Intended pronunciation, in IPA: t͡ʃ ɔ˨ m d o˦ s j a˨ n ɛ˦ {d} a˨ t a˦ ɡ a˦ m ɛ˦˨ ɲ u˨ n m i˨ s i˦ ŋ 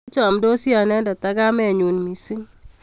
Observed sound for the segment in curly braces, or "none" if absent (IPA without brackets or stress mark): d